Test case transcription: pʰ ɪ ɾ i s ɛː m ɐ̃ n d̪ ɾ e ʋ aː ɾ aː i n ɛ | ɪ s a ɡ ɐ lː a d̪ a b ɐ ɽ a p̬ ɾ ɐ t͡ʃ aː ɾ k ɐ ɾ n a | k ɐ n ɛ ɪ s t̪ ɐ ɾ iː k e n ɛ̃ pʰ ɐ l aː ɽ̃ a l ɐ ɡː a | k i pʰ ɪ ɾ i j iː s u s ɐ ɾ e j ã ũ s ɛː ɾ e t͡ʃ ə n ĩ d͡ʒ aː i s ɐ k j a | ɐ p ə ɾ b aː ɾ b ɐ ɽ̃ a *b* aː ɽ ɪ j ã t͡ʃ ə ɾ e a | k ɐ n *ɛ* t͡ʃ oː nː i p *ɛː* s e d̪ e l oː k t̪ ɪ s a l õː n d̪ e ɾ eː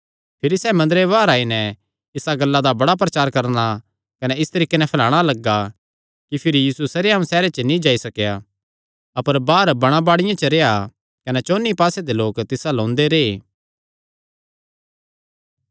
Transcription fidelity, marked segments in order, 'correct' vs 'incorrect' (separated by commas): correct, correct, incorrect